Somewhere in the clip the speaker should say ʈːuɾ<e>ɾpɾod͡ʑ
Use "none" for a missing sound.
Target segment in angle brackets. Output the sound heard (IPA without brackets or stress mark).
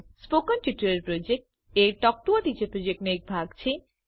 e